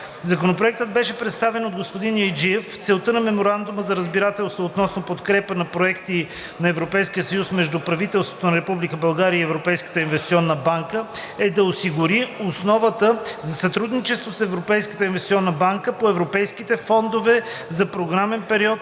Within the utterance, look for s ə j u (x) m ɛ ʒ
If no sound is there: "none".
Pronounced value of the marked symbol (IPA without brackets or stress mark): s